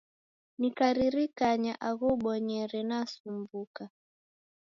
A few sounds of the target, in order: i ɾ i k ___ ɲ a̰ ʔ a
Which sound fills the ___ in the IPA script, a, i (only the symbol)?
a